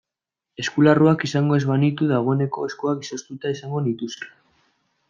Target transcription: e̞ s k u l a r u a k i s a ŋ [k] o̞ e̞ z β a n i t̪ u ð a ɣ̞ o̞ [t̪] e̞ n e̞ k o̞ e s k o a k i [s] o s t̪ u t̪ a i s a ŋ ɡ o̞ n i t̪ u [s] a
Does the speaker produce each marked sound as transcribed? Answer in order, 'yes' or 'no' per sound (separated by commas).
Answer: no, no, yes, yes